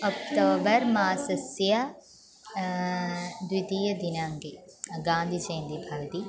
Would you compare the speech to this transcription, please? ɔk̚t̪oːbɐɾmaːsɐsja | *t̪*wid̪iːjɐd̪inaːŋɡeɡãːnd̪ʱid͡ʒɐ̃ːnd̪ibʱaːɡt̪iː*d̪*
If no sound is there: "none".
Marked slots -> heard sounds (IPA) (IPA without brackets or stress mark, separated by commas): d̪, none